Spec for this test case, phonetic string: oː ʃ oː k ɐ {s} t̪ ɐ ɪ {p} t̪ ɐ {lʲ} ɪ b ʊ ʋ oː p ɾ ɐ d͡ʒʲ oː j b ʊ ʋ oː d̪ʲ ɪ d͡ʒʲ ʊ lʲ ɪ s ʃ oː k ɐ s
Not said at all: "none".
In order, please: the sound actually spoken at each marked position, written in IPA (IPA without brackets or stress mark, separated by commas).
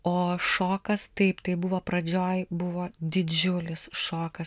s, p, none